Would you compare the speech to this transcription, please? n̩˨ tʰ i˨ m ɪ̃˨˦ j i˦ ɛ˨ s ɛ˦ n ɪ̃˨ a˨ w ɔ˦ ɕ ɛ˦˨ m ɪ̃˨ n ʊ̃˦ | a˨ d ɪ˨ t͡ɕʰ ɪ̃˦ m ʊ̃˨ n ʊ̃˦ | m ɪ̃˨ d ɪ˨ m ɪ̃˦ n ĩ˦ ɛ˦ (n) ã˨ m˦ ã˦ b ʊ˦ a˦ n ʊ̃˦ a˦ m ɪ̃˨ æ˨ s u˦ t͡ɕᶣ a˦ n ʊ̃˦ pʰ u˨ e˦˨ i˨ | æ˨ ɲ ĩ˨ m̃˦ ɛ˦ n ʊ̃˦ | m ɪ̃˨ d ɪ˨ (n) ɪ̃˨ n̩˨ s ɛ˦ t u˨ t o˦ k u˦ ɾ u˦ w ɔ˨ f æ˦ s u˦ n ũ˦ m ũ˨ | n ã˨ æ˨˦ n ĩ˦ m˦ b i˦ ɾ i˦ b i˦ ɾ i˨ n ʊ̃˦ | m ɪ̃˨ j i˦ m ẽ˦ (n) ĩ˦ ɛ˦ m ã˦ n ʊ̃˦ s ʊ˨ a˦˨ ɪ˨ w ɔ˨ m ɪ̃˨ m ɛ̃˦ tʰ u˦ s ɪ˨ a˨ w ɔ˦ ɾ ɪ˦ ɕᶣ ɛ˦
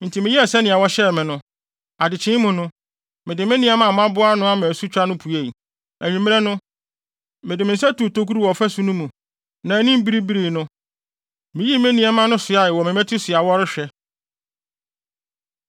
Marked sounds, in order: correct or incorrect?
incorrect, incorrect, correct

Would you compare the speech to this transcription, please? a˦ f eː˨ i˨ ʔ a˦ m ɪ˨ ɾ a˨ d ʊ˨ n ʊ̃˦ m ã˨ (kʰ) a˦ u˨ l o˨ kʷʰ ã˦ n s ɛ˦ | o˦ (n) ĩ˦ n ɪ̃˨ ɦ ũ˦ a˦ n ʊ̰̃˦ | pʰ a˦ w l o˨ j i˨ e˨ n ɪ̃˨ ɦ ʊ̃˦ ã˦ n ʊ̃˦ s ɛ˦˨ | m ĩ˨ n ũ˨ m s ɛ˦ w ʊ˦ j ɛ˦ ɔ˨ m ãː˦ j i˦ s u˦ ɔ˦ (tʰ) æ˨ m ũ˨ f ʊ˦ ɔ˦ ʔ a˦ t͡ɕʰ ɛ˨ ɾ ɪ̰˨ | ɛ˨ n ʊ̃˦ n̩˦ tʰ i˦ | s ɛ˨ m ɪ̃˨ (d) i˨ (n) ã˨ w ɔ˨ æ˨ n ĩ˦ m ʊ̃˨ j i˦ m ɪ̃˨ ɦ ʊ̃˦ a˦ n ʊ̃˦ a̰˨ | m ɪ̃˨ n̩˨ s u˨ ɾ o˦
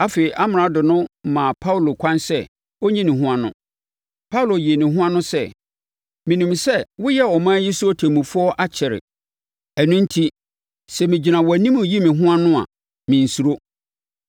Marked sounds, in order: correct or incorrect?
incorrect, incorrect, correct, incorrect, correct

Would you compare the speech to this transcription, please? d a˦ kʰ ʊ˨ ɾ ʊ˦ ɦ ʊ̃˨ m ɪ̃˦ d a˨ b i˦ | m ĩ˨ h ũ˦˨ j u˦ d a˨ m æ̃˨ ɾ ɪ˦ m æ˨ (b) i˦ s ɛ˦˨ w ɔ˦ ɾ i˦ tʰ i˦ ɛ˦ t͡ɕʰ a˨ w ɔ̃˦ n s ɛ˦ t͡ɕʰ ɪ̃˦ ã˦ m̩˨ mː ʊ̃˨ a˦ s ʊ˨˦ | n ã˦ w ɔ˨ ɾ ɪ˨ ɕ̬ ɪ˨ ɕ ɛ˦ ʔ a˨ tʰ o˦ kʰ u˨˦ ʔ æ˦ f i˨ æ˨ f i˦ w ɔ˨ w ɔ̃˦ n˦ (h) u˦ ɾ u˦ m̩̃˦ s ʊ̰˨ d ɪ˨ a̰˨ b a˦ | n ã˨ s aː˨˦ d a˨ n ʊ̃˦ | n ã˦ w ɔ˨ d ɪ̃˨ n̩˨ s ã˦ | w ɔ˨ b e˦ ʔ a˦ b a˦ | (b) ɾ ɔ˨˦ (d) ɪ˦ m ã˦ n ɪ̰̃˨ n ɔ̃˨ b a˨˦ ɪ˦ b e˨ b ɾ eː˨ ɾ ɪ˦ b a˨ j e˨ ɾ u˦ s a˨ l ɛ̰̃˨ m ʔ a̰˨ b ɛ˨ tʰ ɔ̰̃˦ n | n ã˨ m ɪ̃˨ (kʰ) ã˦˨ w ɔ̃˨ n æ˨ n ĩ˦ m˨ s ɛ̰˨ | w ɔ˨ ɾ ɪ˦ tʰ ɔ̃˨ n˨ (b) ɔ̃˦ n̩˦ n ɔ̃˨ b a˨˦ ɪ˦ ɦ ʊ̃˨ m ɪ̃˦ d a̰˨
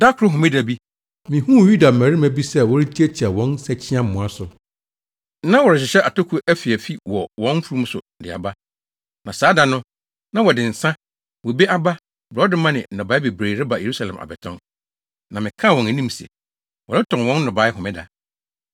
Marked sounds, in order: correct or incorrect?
correct, incorrect, correct, correct, correct, incorrect

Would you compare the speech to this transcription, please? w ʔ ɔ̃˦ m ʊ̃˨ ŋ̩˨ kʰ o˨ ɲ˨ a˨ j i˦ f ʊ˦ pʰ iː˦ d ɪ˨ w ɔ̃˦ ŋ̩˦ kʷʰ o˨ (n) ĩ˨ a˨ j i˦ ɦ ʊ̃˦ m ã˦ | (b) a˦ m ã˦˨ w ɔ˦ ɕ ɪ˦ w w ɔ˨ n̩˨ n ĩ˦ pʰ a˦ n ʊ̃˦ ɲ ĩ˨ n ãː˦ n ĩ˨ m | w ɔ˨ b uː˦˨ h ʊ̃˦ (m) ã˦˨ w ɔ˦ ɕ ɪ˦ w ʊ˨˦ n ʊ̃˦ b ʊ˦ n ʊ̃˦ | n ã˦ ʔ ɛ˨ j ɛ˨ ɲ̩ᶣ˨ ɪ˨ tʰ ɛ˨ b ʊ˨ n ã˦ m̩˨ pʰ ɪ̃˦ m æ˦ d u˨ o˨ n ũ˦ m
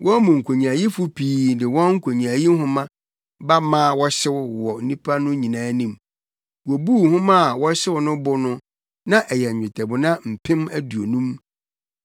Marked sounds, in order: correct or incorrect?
incorrect, correct, correct

